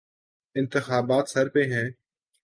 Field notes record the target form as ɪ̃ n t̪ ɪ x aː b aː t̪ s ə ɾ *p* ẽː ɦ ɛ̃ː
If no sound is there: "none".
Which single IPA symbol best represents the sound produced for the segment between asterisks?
p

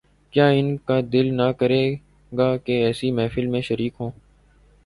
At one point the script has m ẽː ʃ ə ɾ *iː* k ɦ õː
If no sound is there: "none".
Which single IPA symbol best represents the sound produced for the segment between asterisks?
iː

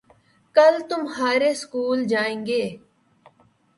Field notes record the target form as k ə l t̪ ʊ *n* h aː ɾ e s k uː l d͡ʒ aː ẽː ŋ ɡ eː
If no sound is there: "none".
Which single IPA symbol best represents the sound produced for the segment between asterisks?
m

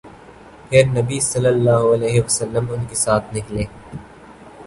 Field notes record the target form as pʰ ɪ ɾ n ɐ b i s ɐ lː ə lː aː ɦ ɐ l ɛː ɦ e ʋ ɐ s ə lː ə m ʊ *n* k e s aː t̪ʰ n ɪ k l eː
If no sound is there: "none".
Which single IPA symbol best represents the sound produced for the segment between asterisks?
n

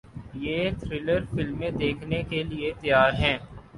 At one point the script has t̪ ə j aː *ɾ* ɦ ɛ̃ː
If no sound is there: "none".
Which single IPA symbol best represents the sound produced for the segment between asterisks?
ɾ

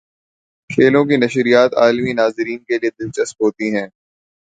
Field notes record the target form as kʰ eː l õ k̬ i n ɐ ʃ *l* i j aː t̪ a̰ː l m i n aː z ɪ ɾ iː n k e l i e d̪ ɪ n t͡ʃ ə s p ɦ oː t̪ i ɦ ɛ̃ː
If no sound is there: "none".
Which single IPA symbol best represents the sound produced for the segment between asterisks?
ɾ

